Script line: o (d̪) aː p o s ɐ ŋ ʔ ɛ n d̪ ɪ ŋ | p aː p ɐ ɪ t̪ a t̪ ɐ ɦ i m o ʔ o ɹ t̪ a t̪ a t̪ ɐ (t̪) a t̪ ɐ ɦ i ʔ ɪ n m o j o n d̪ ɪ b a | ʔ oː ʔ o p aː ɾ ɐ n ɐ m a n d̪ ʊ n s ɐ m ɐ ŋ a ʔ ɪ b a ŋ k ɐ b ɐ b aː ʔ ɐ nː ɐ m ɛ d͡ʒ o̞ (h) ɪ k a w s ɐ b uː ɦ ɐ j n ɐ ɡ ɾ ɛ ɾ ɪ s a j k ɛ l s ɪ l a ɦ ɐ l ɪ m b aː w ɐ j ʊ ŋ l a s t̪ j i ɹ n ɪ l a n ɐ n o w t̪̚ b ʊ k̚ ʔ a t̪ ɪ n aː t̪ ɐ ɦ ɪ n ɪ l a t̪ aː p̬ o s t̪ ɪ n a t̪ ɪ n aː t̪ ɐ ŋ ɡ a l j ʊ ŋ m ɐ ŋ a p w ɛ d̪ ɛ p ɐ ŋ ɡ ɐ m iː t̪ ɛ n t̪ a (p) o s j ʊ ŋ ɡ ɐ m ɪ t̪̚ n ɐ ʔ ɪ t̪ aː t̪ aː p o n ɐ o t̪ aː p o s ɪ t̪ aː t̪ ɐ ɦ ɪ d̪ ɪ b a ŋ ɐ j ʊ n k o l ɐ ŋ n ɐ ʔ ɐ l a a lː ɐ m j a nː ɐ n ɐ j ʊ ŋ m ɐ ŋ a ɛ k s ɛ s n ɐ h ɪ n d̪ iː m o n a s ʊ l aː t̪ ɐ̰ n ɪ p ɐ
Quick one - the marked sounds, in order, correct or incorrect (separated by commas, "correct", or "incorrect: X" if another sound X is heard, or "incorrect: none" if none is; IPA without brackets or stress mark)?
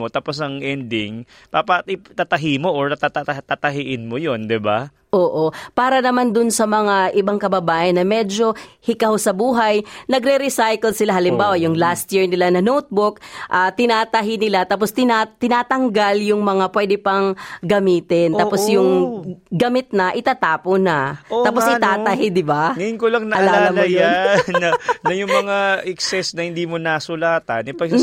incorrect: t̪, correct, correct, correct